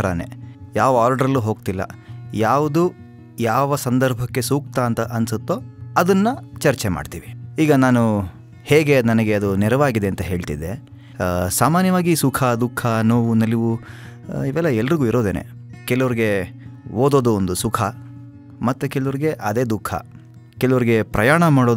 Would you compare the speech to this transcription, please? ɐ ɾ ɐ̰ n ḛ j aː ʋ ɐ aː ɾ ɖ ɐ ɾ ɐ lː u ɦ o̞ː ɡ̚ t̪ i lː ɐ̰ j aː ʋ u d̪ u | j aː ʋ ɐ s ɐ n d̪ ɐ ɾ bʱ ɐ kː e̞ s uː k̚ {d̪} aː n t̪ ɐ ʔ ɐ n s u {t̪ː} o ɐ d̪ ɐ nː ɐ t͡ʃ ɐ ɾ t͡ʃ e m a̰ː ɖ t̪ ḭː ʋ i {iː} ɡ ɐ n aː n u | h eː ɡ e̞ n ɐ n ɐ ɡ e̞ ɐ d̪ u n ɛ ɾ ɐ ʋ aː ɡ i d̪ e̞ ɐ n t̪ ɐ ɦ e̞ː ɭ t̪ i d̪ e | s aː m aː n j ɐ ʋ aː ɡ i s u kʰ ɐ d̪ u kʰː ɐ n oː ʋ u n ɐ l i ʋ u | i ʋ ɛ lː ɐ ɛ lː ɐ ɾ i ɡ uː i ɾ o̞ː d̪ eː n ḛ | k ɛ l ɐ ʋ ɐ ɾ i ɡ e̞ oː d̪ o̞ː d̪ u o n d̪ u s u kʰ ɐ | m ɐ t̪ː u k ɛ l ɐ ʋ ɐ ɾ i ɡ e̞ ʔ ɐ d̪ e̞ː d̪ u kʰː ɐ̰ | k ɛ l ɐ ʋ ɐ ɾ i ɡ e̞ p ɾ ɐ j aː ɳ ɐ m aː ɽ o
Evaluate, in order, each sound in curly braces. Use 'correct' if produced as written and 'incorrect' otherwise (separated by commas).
incorrect, correct, correct